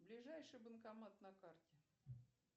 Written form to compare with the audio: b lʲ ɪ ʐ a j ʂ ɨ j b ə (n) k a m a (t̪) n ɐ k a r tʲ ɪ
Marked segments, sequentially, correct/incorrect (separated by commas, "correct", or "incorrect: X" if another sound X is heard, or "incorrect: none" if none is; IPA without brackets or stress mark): correct, correct